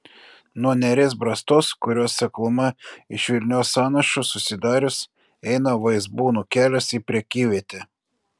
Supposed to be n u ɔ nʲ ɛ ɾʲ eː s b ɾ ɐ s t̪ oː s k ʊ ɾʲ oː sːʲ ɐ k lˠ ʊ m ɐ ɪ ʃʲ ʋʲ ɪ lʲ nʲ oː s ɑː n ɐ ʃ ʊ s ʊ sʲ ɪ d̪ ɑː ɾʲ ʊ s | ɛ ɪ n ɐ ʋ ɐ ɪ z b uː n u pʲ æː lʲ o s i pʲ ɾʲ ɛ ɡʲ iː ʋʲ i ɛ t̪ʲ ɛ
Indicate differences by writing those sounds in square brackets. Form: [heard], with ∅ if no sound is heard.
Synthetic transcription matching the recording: n u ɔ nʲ ɛ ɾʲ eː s b ɾ ɐ s t̪ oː s k ʊ ɾʲ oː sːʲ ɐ k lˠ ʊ m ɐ ɪ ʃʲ ʋʲ ɪ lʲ nʲ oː s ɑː n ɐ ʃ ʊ s ʊ sʲ ɪ d̪ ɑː ɾʲ ʊ s | ɛ ɪ n ɐ ʋ ɐ ɪ z b uː n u [kʲ] æː lʲ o s i pʲ ɾʲ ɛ [kʲ] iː ʋʲ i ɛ t̪ʲ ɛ